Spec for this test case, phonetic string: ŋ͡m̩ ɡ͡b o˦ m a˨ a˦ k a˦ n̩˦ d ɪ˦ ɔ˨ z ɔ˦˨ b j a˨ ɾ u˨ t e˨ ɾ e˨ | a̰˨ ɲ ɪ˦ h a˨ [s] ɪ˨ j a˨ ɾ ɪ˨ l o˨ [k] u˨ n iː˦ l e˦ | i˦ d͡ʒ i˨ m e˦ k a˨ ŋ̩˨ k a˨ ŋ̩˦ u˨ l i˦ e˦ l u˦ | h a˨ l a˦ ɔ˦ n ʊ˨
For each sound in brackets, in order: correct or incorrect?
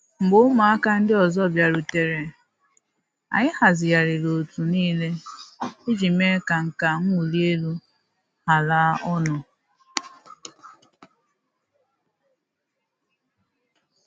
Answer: incorrect: z, incorrect: t

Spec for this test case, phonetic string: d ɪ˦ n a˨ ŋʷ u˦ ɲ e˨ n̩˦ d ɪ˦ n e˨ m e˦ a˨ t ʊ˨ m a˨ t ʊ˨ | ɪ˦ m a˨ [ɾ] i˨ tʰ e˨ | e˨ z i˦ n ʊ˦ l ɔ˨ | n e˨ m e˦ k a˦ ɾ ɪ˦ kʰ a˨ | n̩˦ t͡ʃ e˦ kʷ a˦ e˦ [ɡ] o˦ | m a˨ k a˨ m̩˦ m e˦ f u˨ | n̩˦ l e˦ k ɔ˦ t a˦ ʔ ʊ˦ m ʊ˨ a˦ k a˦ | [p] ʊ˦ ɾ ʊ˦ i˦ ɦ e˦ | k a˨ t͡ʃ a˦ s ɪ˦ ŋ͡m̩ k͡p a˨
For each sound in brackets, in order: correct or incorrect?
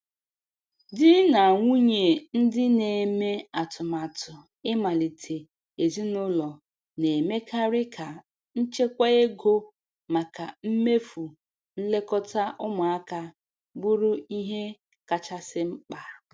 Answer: incorrect: l, correct, incorrect: b

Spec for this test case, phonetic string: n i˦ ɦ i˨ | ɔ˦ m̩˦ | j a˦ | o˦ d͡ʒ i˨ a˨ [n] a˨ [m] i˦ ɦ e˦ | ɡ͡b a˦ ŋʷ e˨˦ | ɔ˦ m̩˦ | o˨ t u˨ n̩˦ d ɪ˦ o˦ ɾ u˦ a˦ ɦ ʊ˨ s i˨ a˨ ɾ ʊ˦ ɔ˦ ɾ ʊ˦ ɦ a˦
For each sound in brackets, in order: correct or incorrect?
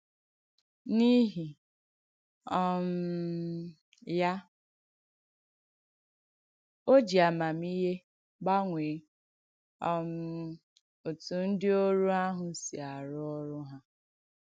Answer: incorrect: m, correct

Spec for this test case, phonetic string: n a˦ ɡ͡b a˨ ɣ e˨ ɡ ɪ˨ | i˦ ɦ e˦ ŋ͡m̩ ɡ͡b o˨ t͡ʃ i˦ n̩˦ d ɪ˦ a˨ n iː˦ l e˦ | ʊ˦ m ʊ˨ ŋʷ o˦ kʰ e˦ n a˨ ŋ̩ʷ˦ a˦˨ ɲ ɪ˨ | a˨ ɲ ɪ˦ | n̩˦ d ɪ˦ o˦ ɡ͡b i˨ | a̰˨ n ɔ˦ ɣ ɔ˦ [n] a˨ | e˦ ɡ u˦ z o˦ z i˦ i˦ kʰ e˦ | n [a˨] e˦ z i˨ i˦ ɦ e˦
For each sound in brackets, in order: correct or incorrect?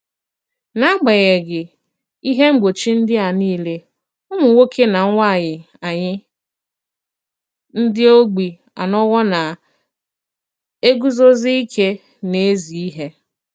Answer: correct, incorrect: e˨

